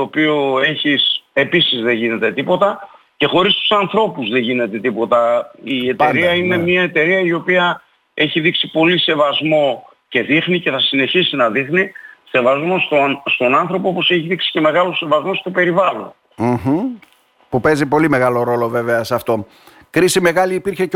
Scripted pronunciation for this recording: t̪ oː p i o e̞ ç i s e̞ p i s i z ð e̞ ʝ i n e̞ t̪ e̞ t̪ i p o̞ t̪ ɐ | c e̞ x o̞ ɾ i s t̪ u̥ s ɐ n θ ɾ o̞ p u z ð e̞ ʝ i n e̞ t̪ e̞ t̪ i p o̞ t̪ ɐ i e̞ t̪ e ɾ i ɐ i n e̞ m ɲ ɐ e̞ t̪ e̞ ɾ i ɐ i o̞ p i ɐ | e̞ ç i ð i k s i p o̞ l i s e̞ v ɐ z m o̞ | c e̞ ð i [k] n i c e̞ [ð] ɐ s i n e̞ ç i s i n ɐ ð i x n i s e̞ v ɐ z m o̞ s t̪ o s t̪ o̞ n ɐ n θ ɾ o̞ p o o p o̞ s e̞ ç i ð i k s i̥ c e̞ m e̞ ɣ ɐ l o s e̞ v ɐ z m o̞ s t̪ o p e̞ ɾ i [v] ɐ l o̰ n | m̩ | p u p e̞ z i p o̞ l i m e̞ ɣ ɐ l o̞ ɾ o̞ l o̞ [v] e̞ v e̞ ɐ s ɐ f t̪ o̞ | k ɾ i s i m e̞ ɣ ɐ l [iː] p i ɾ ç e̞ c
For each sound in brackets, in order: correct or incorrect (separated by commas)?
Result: incorrect, incorrect, correct, correct, correct